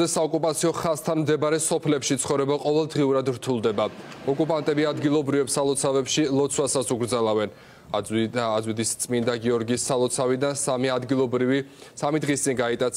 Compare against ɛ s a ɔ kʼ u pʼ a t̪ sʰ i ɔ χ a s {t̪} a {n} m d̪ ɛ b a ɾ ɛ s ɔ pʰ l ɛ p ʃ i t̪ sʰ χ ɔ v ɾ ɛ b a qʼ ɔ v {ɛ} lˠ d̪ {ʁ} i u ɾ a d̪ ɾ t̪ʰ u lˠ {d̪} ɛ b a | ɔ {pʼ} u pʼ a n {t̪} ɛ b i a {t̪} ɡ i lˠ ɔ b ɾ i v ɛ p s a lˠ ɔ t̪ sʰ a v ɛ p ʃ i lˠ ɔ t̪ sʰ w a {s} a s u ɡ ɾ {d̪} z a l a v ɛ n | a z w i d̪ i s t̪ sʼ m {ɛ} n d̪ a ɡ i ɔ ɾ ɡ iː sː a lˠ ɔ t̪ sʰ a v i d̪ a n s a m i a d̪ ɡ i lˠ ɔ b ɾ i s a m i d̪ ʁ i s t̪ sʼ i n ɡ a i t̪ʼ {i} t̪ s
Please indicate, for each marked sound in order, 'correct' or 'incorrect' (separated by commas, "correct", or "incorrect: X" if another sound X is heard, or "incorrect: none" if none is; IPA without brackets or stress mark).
incorrect: t̪ʰ, correct, correct, correct, correct, incorrect: kʼ, incorrect: t̪ʼ, incorrect: d̪, correct, correct, incorrect: i, incorrect: a